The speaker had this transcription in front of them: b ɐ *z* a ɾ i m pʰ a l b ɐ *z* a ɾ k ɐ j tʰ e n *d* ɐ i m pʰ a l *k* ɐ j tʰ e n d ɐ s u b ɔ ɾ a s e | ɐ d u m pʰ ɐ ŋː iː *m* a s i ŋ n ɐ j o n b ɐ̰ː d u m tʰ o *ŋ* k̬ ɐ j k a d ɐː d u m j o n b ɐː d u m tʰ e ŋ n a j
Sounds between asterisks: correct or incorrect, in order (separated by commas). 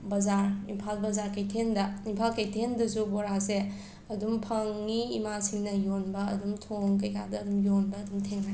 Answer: correct, correct, correct, correct, correct, correct